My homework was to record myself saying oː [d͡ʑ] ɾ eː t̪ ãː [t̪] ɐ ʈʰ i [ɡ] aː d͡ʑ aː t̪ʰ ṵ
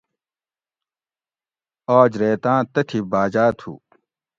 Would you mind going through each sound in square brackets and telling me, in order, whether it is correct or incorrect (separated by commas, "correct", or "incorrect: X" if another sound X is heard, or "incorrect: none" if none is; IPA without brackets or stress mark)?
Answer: correct, correct, incorrect: b